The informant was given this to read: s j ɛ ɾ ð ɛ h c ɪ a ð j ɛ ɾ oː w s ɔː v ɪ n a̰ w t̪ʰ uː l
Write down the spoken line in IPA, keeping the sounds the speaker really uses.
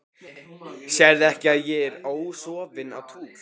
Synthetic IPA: s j ɛ ɾ ð ɛ h c ɪ a ð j ɛ ɾ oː w s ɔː v ɪ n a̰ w t̪ʰ uː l